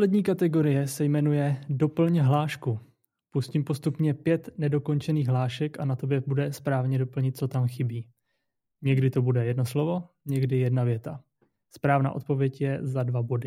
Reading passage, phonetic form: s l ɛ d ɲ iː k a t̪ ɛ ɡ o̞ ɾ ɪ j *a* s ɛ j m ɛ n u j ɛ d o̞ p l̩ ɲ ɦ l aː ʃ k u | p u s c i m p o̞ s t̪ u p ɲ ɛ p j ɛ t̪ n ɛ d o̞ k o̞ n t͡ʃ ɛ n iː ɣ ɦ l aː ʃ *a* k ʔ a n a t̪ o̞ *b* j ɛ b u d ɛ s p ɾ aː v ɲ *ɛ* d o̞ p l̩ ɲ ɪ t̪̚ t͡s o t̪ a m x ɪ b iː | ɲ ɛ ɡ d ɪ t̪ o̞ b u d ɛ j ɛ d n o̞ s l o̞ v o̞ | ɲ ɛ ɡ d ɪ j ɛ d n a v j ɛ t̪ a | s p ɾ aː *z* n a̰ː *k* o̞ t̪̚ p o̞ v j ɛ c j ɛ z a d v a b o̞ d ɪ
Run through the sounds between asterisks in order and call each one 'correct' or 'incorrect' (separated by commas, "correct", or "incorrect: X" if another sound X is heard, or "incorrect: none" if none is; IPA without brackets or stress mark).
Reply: incorrect: ɛ, incorrect: ɛ, correct, correct, incorrect: v, incorrect: ʔ